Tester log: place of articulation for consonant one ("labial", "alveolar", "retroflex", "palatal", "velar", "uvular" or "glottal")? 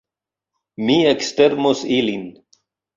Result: labial